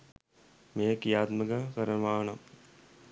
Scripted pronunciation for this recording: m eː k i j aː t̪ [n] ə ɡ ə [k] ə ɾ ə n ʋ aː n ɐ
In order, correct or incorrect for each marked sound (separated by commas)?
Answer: incorrect, correct